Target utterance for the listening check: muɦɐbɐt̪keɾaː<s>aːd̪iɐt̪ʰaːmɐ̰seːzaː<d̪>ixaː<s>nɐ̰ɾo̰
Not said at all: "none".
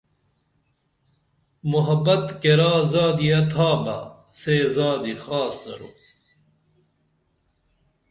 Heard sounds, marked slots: z, d̪, s

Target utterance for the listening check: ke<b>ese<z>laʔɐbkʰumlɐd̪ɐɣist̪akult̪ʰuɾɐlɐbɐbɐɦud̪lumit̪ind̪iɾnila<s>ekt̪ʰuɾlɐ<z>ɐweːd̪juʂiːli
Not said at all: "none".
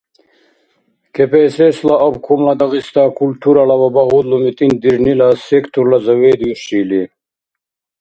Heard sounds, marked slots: p, s, s, z

